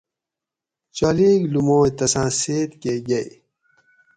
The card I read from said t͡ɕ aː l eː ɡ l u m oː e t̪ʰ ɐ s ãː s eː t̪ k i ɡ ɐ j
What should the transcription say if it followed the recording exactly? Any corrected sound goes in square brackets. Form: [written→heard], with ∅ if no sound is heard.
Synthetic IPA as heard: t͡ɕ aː l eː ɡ l u m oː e [t̪ʰ→t̪] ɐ s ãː s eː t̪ k [i→e] ɡ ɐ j

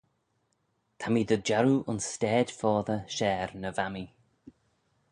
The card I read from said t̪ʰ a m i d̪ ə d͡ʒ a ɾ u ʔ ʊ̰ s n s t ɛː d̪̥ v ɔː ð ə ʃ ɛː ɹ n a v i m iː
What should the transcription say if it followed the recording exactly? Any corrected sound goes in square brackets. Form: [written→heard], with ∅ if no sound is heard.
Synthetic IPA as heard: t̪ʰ a m i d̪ ə d͡ʒ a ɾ u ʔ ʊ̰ [s→∅] n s t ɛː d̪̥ [v→f] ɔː ð ə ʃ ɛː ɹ n [a→ə] v [i→a] m [iː→i]

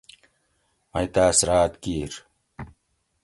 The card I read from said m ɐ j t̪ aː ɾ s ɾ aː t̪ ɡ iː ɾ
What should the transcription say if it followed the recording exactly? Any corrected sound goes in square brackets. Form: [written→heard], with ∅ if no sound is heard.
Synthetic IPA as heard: m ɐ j t̪ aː [ɾ→∅] s ɾ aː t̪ [ɡ→k] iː ɾ

